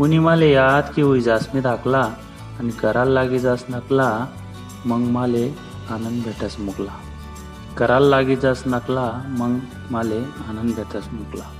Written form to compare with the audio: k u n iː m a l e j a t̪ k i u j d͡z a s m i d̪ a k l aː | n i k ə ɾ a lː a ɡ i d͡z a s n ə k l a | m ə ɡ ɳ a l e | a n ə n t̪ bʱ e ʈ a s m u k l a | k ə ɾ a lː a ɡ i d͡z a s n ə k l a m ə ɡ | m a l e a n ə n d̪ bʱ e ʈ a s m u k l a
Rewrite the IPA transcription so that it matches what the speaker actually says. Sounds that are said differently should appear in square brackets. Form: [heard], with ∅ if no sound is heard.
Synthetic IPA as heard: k u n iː m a l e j a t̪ k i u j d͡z a s m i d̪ a k l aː | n i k ə ɾ a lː a ɡ i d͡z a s n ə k l a | m ə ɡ [m] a l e | a n ə n [d̪] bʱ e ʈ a s m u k l a | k ə ɾ a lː a ɡ i d͡z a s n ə k l a m ə ɡ | m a l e a n ə n d̪ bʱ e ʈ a s m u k l a